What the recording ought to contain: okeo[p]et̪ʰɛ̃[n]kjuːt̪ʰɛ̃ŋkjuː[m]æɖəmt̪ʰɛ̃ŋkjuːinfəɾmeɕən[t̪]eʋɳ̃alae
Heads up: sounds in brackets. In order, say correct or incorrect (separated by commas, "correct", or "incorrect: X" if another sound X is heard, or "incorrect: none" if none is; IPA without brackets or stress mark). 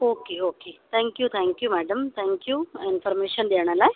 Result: incorrect: k, incorrect: ŋ, correct, incorrect: d̪